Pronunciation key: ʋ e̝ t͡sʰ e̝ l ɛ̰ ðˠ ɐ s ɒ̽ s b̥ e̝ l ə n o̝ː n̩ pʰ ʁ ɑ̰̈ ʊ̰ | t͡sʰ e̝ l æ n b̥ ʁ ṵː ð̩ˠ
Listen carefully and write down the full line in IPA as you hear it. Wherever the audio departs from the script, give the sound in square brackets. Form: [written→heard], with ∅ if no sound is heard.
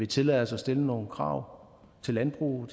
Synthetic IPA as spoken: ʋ e̝ t͡sʰ e̝ l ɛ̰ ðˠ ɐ s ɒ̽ s [b̥→d̥] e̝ l ə n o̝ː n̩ [pʰ→kʰ] ʁ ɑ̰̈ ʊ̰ | t͡sʰ e̝ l æ n b̥ ʁ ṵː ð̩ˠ